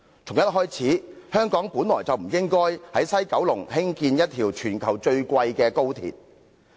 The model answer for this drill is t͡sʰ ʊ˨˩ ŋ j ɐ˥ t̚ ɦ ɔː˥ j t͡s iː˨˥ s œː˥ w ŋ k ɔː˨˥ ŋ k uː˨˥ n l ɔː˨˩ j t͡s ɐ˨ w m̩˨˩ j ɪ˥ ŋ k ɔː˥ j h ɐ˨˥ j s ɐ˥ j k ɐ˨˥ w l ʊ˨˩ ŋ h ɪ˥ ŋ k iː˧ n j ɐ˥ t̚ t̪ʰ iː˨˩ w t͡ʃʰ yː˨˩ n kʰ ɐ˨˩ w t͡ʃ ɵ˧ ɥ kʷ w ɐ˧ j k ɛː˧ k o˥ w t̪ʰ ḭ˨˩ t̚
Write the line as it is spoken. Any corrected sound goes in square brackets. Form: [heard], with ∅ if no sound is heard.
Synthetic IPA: t͡sʰ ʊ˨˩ ŋ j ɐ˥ t̚ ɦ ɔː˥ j [t͡sʰ] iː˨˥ [h] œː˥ [∅] ŋ k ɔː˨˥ ŋ [p] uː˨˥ n l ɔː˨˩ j t͡s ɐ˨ w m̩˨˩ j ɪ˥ ŋ k ɔː˥ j h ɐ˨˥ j s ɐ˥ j k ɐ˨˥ w l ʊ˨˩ ŋ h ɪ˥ ŋ k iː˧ n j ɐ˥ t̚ t̪ʰ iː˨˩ w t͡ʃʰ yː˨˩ n kʰ ɐ˨˩ w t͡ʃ ɵ˧ ɥ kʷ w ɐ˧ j k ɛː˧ k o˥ w t̪ʰ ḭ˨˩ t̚